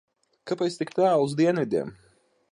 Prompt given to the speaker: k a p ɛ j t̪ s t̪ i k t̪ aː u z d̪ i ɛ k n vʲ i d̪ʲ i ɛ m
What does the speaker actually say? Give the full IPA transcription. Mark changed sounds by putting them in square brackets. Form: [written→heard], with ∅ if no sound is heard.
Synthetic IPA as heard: k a p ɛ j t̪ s t̪ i k t̪ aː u z d̪ i ɛ [k→∅] n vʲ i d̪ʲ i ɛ m